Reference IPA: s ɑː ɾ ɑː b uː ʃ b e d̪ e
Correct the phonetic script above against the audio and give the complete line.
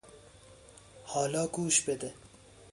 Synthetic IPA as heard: h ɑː l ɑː ɡ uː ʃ b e d̪ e